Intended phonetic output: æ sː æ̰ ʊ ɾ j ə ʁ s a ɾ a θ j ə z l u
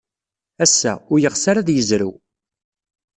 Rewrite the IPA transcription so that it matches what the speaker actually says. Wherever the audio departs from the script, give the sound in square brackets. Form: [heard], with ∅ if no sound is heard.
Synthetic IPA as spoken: æ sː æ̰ ʊ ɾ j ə ʁ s a ɾ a [ð] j ə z [ɾ] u